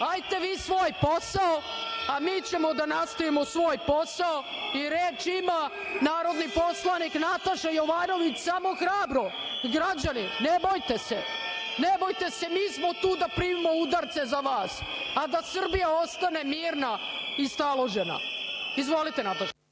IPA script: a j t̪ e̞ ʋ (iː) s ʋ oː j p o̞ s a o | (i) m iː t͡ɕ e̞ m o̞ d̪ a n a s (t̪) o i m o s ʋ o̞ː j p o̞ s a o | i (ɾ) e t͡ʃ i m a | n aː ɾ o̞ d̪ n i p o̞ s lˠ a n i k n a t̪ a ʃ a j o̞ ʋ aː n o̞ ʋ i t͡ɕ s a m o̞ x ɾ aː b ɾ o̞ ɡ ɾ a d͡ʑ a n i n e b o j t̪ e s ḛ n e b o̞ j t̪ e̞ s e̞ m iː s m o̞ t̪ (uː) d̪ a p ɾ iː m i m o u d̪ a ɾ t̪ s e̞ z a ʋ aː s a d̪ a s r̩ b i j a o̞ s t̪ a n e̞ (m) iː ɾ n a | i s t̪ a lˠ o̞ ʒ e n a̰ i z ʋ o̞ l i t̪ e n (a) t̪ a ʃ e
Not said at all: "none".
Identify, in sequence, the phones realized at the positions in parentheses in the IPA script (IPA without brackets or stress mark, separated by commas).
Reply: iː, a, t̪, ɾ, uː, m, a